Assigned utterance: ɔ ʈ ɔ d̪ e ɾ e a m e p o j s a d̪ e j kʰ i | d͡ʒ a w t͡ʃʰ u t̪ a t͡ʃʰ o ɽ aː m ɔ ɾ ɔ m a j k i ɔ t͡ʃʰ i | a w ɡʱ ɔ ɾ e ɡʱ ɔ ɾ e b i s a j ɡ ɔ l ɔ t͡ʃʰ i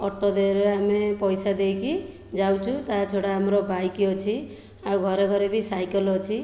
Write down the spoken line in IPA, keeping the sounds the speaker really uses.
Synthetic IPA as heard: ɔ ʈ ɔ d̪ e ɾ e a m e p ɔ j s a d̪ e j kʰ i | d͡ʒ a w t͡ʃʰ u t̪ a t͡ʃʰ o ɽ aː m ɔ ɾ ɔ b a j k i ɔ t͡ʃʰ i | a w ɡʱ ɔ ɾ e ɡʱ ɔ ɾ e b i s a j k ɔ l ɔ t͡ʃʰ i